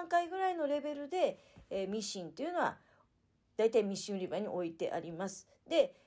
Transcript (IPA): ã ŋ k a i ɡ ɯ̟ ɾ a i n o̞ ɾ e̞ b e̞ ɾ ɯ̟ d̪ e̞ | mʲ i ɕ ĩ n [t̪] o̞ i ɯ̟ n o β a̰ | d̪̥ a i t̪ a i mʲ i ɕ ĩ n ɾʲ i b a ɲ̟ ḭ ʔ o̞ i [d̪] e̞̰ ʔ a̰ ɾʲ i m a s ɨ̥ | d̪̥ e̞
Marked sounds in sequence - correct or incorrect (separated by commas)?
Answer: correct, incorrect